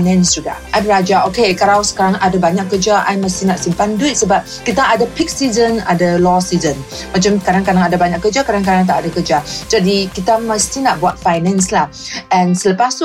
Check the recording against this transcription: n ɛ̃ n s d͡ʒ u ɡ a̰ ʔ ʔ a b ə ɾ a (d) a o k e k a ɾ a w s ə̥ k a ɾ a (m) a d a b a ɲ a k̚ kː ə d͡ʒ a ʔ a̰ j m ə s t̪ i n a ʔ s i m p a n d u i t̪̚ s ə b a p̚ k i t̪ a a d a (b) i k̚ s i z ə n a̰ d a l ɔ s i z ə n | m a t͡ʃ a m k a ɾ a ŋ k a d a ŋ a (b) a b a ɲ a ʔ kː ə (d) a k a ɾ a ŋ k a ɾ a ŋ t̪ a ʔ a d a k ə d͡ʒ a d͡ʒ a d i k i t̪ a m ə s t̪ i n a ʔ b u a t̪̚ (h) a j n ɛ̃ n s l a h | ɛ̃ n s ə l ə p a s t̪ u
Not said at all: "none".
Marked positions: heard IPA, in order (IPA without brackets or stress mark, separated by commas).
d͡ʒ, ŋ, p, d, d͡ʒ, f